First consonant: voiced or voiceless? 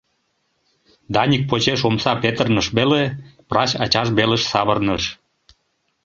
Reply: voiced